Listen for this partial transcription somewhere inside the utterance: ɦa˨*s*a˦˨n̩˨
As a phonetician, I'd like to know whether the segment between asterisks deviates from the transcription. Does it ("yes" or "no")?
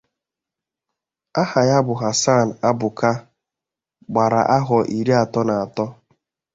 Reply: no